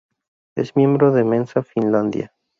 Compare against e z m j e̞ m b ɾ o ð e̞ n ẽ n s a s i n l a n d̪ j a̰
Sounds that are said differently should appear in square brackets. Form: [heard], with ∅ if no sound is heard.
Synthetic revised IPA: e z m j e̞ m b ɾ o ð e̞ [m] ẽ n s a [f] i n l a n d̪ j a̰